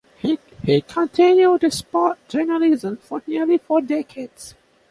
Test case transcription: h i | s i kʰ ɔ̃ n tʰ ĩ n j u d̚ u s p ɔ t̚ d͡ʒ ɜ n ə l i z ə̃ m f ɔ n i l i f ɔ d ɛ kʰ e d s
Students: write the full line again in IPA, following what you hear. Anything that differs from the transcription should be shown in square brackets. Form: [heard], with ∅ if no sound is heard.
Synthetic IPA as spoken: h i | [h] i kʰ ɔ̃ n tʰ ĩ n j u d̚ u s p ɔ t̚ d͡ʒ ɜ n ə l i z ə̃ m f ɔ n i l i f ɔ d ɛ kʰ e d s